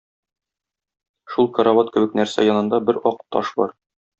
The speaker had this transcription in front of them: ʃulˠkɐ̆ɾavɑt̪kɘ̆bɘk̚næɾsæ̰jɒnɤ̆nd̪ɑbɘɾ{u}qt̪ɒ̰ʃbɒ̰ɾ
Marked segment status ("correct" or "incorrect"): incorrect